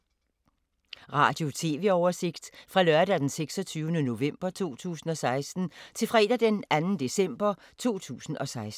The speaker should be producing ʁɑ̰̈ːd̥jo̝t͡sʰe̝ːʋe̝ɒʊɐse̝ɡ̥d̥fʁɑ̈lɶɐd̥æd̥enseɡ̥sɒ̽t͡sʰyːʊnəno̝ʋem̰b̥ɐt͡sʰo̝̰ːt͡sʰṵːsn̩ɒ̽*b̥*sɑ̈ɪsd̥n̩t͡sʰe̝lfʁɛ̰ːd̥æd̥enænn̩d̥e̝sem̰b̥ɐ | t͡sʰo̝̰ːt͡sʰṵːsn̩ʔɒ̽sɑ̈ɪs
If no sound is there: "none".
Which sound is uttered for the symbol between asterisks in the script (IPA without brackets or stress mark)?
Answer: none